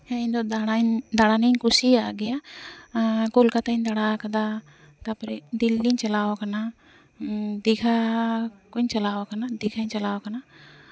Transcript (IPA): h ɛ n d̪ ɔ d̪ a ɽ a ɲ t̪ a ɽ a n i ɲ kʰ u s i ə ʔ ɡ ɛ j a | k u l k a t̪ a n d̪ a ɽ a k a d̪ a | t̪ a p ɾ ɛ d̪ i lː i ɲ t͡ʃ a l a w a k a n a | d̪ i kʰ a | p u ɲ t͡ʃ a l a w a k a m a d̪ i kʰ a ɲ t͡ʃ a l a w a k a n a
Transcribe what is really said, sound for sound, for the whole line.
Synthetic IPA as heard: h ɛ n d̪ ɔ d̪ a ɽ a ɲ d̪ a ɽ a n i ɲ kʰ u s i a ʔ ɡ ɛ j a | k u l k a t̪ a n d̪ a ɽ a k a d̪ a | t̪ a p ɾ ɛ d̪ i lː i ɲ t͡ʃ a l a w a k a n a | d̪ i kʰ a | k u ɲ t͡ʃ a l a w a k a n a d̪ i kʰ a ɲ t͡ʃ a l a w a k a n a